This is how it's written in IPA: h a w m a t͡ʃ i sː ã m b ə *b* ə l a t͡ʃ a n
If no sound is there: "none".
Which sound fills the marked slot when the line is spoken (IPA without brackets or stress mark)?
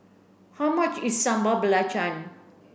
b